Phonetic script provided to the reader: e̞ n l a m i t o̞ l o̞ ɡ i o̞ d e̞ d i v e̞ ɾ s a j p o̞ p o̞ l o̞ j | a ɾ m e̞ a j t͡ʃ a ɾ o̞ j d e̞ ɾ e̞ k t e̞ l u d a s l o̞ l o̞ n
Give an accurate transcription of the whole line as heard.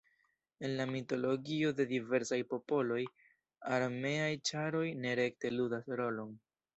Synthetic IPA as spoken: e̞ n l a m i t o̞ l o̞ ɡ i o̞ d e̞ d i v e̞ ɾ s a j p o̞ p o̞ l o̞ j | a ɾ m e̞ a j t͡ʃ a ɾ o̞ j n e̞ ɾ e̞ k t e̞ l u d a s ɾ o̞ l o̞ n